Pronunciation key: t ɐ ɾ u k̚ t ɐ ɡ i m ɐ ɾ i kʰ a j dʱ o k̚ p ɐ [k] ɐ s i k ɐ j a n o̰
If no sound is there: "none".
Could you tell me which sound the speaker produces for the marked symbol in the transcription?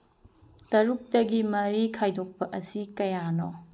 ʔ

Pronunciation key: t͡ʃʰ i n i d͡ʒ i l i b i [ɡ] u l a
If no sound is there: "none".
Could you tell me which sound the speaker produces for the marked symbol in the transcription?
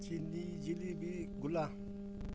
ɡ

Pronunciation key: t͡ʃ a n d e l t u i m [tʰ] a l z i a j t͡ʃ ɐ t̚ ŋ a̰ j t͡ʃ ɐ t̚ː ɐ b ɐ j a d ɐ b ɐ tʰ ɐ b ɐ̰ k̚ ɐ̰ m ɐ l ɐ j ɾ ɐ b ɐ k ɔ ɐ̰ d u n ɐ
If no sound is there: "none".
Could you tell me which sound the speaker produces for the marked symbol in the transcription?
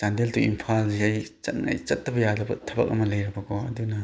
pʰ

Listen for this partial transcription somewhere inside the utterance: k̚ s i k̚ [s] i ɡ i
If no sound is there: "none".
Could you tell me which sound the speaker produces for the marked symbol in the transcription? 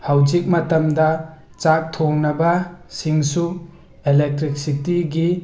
t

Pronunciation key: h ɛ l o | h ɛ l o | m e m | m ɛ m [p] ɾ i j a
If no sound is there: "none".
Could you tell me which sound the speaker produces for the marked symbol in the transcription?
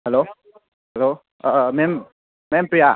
p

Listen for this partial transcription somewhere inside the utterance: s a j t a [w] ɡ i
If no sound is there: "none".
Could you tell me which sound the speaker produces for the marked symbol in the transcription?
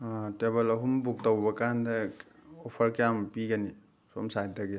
none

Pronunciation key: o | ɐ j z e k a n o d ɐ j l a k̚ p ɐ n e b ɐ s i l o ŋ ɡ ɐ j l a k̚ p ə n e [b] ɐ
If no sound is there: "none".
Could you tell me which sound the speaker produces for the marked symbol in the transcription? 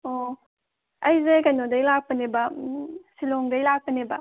b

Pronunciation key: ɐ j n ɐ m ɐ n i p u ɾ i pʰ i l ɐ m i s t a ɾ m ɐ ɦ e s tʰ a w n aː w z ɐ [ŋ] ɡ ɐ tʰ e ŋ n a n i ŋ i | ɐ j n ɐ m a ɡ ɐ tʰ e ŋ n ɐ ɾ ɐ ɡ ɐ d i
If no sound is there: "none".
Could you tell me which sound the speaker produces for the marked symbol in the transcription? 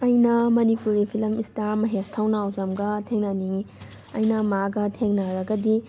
m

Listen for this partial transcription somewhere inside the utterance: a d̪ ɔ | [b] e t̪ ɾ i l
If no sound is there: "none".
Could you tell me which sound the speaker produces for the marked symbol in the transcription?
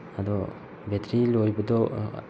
b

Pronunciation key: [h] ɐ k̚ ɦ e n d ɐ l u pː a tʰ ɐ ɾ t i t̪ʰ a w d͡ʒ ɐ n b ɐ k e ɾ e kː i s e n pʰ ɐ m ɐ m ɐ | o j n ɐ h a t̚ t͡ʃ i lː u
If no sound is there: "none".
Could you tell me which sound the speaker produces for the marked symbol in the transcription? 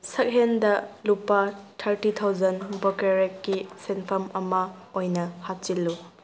s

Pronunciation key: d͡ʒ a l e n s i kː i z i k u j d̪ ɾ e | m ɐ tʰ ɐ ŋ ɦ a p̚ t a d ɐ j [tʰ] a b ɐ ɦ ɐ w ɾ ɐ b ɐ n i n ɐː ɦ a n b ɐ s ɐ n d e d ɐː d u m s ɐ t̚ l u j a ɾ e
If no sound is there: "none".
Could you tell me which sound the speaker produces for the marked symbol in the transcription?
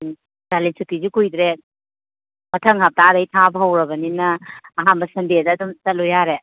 tʰ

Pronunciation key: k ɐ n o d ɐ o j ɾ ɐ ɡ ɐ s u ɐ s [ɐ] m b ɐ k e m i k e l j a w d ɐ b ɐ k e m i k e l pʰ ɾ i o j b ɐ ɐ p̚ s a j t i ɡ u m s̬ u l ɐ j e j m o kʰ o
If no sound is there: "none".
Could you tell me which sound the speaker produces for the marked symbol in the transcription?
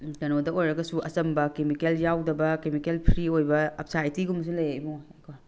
ɐ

